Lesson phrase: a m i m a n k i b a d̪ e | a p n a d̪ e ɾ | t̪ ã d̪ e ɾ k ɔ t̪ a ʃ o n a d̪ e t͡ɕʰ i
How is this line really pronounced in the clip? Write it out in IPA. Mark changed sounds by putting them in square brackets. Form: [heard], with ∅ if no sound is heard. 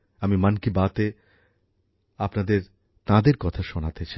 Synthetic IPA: a m i m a n k i b a [t̪] e | a p n a d̪ e ɾ | t̪ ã d̪ e ɾ k ɔ [t̪ʰ] a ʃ o n a [t̪] e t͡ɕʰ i